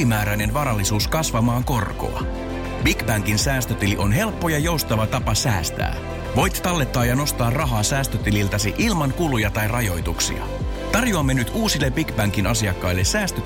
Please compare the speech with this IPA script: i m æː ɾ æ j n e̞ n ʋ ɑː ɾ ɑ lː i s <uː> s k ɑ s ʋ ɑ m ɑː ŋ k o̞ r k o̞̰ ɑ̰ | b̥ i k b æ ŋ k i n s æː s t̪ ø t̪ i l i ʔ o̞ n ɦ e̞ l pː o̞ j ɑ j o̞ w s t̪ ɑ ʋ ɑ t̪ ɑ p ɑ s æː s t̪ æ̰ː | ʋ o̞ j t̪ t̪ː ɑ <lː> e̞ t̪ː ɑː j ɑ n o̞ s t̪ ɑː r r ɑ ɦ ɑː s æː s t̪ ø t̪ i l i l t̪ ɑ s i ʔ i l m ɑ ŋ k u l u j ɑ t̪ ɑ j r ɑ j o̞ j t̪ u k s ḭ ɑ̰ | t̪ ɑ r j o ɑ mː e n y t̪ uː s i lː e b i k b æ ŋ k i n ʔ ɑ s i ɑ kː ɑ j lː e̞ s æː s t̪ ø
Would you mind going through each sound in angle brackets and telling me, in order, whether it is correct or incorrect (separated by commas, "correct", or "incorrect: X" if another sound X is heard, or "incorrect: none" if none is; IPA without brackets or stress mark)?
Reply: correct, correct